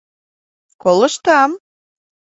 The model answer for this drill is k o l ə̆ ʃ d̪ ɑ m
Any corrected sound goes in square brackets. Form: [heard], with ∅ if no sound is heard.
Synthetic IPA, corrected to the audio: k o l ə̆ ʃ [t̪] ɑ m

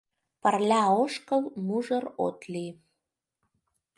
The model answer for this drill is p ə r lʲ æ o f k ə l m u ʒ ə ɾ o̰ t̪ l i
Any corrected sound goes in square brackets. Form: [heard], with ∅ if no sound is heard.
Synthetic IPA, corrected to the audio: p ə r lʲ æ o [ʃ] k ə l m u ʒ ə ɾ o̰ t̪ l i

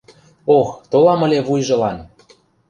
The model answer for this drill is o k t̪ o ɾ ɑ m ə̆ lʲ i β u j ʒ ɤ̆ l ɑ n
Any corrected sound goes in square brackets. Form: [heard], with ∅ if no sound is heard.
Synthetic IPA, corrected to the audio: o [x] t̪ o [l] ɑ m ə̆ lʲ [e] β u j ʒ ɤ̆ l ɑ n

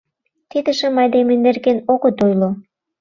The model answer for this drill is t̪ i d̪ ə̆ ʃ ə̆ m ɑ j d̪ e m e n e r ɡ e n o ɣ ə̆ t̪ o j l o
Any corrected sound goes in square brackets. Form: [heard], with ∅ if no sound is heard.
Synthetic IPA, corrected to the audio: t̪ i d̪ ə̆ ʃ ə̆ m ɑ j d̪ e m e n e r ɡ e n o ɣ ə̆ t̪ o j l o

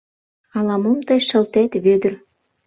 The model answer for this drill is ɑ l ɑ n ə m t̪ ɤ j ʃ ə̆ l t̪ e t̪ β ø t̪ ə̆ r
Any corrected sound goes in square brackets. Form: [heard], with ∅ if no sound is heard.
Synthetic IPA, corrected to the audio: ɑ l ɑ [m] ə m t̪ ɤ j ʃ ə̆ l t̪ e t̪ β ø [d̪] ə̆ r

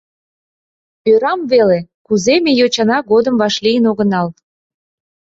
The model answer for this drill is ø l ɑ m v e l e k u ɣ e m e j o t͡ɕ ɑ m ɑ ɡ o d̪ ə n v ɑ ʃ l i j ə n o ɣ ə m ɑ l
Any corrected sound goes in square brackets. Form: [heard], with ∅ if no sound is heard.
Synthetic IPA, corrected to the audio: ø [ɾ] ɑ m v e l e k u [z] e m e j o t͡ɕ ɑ [n] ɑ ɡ o d̪ ə [m] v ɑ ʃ l i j ə n o ɣ ə [n] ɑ l

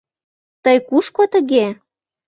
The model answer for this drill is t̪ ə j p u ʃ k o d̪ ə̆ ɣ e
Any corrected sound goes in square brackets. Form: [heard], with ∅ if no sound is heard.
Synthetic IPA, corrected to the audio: t̪ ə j [k] u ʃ k o [t̪] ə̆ ɣ e

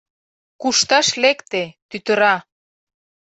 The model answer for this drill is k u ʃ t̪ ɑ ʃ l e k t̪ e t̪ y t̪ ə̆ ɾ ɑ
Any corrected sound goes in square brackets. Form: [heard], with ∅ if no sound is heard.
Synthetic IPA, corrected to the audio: k u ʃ t̪ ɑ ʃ l e k t̪ e t̪ y t̪ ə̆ ɾ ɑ

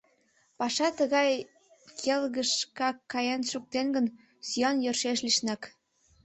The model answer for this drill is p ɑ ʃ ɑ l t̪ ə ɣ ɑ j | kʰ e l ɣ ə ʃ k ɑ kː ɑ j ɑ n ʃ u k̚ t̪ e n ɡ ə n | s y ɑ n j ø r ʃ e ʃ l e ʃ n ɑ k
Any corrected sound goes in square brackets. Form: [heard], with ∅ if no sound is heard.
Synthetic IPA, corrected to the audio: p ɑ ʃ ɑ [∅] t̪ ə ɣ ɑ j | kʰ e l ɣ ə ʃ k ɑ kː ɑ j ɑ n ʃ u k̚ t̪ e n ɡ ə n | s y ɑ n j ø r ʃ e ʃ l [i] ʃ n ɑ k

